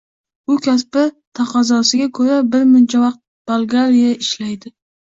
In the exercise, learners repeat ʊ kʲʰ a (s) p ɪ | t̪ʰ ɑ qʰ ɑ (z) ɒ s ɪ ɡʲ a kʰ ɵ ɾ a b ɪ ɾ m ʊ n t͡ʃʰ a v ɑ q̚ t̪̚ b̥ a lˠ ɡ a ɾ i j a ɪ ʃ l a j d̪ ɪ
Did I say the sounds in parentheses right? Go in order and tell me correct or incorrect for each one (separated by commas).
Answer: correct, correct